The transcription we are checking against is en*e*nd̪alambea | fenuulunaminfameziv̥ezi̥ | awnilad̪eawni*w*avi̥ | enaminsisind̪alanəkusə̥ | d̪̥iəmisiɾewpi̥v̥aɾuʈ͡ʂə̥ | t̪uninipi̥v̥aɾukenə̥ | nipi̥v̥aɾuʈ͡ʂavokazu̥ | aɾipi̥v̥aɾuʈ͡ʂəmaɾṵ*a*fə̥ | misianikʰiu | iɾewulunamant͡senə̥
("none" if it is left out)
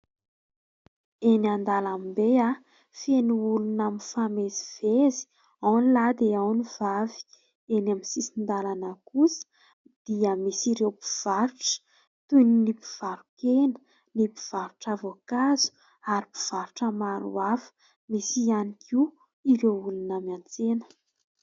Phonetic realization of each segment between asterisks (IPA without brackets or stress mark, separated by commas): a, v, a